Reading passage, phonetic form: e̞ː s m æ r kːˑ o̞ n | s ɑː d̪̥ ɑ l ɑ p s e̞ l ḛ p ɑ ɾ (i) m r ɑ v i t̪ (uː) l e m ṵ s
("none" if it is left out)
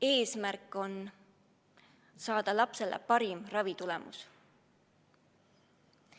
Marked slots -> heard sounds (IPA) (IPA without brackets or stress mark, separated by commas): i, u